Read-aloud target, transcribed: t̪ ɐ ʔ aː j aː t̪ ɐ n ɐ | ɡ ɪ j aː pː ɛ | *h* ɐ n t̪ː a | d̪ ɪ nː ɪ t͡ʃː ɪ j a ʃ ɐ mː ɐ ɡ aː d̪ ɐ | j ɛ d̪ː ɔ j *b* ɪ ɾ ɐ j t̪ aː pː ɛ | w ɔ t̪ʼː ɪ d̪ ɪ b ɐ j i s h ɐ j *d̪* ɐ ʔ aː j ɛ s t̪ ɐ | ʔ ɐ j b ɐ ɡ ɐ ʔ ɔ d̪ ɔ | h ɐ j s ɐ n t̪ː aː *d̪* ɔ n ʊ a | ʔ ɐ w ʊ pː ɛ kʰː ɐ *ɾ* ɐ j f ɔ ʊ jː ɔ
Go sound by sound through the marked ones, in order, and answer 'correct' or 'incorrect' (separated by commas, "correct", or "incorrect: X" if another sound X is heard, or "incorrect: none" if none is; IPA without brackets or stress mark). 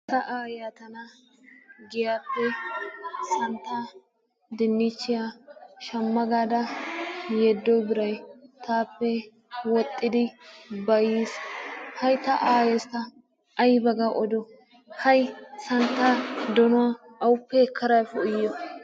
incorrect: s, correct, incorrect: t̪, correct, correct